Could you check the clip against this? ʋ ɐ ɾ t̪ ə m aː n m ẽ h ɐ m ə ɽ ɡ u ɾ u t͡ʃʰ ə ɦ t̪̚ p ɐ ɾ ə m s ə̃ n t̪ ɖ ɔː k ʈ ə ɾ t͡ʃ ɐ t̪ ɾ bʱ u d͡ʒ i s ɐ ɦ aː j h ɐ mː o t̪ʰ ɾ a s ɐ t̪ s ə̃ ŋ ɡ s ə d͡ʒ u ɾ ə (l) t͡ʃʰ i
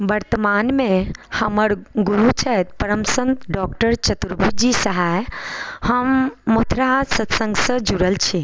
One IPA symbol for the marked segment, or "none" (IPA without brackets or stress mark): l